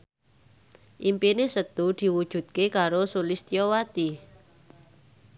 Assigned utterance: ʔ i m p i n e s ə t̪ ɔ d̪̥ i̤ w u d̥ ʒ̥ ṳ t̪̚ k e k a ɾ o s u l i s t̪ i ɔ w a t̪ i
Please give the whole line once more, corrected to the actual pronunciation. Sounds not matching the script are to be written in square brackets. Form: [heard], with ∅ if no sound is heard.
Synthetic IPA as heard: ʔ i m p i n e s ə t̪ [u] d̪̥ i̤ w u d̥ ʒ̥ ṳ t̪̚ k e k a ɾ o s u l i s t̪ i ɔ w a t̪ i